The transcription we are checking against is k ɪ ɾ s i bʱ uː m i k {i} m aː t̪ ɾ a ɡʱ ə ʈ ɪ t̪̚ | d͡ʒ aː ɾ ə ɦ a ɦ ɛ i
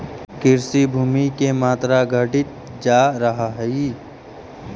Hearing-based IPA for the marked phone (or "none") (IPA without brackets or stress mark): e